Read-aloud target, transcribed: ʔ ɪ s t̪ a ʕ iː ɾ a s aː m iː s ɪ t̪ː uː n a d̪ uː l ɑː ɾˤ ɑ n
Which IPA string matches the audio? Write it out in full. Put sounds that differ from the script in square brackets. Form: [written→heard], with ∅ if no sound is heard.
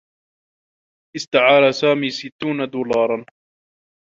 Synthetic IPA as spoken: ʔ ɪ s t̪ a ʕ [iː→aː] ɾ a s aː m iː s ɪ t̪ː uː n a d̪ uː l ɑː ɾˤ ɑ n